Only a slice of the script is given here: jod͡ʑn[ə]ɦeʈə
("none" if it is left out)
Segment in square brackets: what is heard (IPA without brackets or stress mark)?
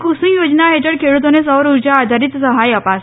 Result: a